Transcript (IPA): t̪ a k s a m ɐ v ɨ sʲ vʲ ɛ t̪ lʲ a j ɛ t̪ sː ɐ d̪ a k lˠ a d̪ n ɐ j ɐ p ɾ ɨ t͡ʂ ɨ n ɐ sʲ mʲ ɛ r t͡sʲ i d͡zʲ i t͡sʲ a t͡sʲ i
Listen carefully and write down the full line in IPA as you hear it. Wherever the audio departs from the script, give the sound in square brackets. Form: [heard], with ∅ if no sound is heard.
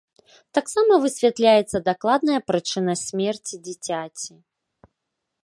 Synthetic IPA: t̪ a k s a m ɐ v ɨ sʲ vʲ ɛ t̪ lʲ a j ɛ t̪ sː ɐ d̪ a k lˠ a d̪ n ɐ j ɐ p ɾ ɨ t͡ʂ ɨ n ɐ sʲ mʲ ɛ r t͡sʲ i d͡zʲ i t͡sʲ a t͡sʲ i